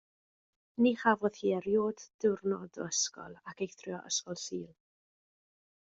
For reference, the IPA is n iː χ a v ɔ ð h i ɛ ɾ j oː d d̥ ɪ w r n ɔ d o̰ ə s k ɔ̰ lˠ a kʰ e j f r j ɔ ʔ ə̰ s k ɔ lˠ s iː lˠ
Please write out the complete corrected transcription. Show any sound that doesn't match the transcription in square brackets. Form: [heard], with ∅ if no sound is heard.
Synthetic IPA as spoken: n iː χ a v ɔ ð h i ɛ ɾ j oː d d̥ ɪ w r n ɔ d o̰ ə s k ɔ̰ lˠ a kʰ e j [θ] r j ɔ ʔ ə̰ s k ɔ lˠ s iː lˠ